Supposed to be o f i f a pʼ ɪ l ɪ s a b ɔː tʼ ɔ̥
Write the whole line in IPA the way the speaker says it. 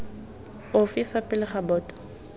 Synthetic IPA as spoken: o f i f a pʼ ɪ l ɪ χ a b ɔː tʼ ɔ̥